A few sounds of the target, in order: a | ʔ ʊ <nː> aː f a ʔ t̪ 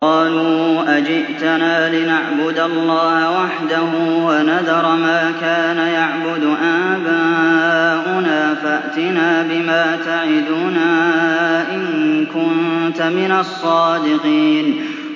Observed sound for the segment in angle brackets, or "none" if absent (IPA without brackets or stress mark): n